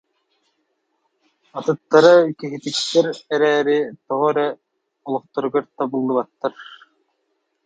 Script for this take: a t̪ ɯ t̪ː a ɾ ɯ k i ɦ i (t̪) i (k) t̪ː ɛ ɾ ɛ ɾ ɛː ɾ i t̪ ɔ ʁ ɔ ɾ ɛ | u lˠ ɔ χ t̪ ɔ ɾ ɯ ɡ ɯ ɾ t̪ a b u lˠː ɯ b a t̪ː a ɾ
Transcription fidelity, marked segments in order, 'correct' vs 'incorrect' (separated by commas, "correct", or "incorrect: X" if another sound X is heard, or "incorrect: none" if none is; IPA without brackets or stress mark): correct, correct